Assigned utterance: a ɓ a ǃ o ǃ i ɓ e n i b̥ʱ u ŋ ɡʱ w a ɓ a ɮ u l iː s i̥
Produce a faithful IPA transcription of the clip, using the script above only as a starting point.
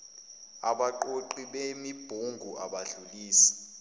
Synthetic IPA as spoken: a ɓ a ǃ o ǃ i ɓ e m i b̥ʱ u ŋ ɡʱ u a ɓ a ɮ u l iː s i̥